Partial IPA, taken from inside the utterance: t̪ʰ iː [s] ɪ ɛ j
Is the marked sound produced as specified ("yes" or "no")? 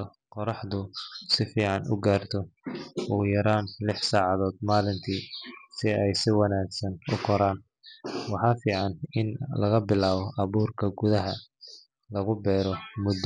yes